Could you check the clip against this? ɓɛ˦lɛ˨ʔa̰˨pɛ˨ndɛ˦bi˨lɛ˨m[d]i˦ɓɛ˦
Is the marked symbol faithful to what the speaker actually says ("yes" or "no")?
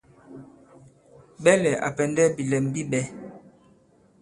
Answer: no